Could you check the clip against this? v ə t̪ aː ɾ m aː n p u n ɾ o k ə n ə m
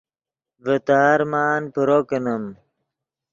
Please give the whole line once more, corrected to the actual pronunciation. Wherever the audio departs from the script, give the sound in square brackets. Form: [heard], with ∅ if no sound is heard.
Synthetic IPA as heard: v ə t̪ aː ɾ m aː n p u [∅] ɾ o k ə n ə m